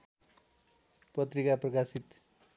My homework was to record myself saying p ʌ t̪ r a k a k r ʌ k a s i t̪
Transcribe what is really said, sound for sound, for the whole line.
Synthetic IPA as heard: p ʌ t̪ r i k a p r ʌ k a s i t̪

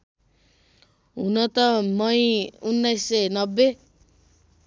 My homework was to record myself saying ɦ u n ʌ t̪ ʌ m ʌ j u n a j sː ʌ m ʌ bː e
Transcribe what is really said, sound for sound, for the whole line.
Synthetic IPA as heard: ɦ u n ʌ t̪ ʌ m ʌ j u nː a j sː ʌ n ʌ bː e

